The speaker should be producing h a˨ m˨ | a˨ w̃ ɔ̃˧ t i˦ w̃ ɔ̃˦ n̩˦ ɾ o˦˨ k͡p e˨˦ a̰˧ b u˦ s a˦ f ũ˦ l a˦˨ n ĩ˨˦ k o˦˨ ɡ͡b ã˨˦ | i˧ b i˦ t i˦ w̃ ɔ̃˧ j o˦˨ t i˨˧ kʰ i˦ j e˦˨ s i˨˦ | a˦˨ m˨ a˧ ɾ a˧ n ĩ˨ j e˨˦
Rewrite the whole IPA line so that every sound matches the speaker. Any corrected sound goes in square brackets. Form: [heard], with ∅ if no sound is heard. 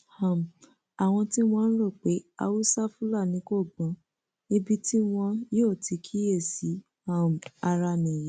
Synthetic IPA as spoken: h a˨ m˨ | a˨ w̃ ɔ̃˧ t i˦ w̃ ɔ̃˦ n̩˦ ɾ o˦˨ k͡p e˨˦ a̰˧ [w] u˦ s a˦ f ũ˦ l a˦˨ n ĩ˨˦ k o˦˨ ɡ͡b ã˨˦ | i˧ b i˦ t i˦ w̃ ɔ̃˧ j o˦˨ t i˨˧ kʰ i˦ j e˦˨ s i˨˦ | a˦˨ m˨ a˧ ɾ a˧ n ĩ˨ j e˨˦